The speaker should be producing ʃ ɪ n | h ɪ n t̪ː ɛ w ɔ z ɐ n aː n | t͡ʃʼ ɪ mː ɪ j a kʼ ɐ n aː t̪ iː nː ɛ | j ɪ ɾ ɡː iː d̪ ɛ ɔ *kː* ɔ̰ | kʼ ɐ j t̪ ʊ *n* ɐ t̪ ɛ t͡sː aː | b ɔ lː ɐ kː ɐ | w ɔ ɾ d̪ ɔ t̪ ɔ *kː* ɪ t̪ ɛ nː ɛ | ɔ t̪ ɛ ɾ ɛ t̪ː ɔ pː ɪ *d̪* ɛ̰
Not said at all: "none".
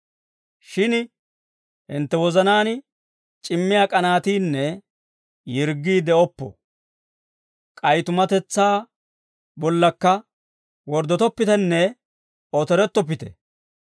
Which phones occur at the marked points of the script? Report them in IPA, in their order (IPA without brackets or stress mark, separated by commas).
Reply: pː, m, pː, t̪